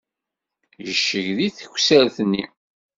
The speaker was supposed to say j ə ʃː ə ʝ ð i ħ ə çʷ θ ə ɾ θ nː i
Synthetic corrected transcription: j ə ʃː ə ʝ ð i θ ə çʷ s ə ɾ θ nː i

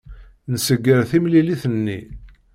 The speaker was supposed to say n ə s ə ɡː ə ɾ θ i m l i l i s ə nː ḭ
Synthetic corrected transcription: n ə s ə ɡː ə ɾ θ i m l i l i θ ə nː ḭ

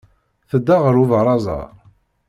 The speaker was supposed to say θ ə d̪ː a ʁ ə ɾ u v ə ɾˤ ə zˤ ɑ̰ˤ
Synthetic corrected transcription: θ ə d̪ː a ʁ ə ɾ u v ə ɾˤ ɑ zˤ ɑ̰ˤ

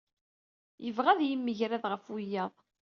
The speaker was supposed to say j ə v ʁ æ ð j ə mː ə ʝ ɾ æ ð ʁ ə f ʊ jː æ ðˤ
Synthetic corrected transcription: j ə v ʁ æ ð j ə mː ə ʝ ɾ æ ð ʁ ə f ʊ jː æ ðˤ

